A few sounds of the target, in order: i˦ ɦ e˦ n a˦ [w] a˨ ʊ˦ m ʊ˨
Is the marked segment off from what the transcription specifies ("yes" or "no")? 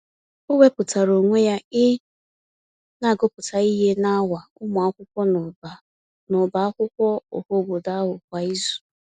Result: no